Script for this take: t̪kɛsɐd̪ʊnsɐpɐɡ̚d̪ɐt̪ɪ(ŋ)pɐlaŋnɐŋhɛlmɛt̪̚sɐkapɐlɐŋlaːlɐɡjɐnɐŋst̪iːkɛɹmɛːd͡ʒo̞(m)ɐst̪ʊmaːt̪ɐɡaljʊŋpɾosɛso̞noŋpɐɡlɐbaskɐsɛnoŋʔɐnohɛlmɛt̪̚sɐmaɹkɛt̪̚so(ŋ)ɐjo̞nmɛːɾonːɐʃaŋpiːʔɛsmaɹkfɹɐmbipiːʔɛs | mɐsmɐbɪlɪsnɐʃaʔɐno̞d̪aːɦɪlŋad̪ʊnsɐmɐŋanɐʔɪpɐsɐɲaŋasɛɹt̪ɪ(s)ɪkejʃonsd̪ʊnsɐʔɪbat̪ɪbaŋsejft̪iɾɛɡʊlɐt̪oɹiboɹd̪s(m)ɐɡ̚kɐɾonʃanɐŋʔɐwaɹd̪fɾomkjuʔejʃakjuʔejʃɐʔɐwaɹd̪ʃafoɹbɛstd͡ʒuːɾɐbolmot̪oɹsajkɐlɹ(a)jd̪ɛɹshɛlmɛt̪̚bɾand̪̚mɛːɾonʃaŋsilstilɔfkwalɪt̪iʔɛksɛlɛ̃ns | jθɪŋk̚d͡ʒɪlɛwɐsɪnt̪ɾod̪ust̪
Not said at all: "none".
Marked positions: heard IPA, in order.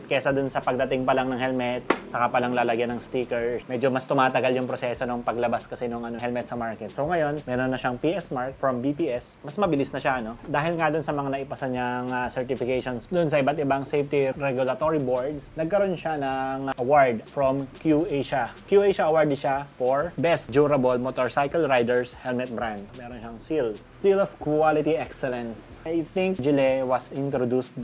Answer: ŋ, m, ŋ, f, n, a

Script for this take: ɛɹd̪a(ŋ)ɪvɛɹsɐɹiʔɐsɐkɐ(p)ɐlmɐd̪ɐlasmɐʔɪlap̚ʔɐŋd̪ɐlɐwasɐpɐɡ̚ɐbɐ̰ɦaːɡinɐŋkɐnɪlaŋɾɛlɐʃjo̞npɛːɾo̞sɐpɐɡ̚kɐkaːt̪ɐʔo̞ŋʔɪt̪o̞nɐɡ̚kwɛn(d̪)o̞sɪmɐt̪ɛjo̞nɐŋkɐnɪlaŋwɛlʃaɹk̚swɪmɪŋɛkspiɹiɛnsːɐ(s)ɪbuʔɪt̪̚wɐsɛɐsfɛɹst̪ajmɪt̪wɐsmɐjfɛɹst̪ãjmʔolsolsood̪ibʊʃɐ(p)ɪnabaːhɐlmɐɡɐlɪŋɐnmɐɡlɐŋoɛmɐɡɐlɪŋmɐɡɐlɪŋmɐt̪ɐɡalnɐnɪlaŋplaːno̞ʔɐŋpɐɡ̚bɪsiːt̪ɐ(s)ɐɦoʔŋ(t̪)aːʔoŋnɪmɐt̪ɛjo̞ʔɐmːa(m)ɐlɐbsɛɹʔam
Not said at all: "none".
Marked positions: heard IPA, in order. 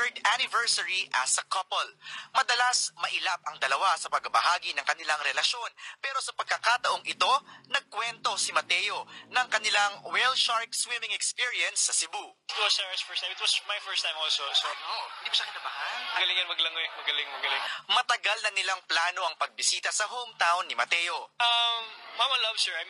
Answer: n, p, t̪, s, k, s, t̪, m

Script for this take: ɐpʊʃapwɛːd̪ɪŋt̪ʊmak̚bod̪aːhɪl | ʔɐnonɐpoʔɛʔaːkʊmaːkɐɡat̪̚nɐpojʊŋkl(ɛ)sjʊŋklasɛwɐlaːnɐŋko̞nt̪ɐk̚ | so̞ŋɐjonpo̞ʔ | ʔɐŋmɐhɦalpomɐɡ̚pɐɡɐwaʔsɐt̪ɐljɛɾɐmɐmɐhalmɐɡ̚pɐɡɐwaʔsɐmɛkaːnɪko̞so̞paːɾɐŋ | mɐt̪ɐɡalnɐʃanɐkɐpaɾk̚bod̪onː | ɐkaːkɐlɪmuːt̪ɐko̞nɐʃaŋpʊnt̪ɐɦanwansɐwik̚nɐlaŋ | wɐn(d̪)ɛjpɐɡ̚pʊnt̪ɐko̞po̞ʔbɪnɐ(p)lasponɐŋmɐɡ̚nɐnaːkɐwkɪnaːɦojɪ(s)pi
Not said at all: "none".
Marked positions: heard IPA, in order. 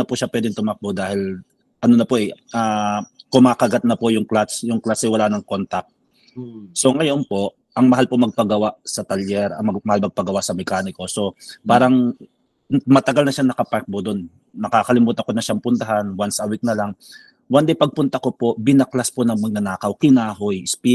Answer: a, d̪, k, s

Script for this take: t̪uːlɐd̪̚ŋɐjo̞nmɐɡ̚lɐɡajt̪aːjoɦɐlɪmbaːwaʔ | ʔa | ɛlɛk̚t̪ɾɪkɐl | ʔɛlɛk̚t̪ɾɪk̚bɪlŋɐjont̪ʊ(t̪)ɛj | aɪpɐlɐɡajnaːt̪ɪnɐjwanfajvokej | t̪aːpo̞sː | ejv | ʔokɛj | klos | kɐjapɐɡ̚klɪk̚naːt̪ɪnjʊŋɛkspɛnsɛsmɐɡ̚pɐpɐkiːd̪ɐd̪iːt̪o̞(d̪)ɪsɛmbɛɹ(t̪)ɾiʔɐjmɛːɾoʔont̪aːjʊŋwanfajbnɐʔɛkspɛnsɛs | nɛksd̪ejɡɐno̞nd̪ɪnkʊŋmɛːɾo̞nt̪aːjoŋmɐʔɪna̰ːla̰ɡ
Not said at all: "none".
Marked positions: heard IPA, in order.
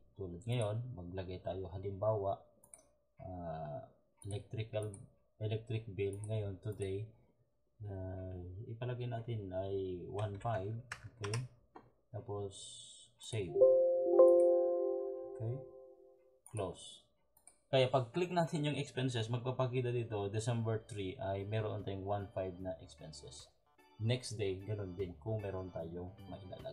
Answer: d̪, d̪, t̪

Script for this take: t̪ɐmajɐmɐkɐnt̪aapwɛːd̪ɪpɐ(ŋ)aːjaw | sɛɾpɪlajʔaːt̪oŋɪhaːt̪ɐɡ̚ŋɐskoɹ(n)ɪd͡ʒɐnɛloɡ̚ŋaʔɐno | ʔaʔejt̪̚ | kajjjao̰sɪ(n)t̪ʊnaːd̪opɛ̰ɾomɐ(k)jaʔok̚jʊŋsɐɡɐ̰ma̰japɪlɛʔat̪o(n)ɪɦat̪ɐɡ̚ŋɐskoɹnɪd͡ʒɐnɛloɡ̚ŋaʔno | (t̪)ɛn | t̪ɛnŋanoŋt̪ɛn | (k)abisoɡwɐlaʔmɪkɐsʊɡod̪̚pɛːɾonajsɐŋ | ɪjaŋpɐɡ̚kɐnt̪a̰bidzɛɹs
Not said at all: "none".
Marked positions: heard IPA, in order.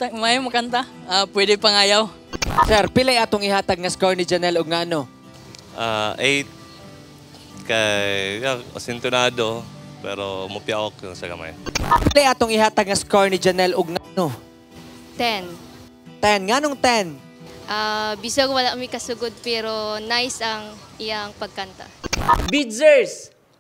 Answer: ŋ, n, n, p, ŋ, t̪, ʔ

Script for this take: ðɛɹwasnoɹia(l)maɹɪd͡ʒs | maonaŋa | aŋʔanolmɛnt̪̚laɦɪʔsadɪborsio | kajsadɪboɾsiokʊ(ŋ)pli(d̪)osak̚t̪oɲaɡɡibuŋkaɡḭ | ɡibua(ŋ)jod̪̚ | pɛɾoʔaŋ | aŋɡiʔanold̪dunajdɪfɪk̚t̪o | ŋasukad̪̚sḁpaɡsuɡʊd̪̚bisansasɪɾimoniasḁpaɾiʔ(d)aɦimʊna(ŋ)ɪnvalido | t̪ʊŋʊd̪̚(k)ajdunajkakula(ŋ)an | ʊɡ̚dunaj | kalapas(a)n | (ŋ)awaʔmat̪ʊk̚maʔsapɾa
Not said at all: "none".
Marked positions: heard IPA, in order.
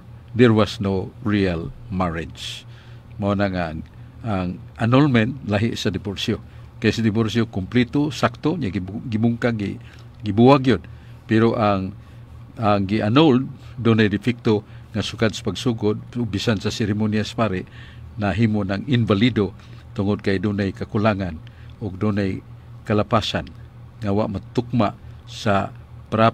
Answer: l, m, t̪, ɡ, n, ŋ, k, ŋ, a, ŋ

